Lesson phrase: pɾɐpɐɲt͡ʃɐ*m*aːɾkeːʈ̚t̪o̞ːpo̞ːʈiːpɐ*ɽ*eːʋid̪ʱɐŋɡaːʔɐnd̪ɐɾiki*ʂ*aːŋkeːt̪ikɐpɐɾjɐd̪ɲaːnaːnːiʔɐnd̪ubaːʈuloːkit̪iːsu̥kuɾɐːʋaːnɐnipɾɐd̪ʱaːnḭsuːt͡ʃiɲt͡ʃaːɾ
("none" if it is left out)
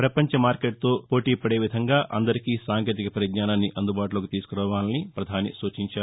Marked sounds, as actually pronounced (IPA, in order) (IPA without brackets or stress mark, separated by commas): m, ɽ, s